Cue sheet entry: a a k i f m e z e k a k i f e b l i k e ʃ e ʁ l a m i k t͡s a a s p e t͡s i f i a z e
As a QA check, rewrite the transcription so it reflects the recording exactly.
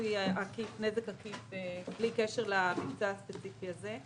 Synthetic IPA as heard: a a k i f n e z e k a k i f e b l i k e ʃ e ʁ l a m i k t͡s a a s p e t͡s i f i a z e